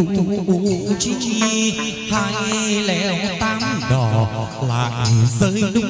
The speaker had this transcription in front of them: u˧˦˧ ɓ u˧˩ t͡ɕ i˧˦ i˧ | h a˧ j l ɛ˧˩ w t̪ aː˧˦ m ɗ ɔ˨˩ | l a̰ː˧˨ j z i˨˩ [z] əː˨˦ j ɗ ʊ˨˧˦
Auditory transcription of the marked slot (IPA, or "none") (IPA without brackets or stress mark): z